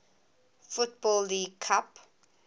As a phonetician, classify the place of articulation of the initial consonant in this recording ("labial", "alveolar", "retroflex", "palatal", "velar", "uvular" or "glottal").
labial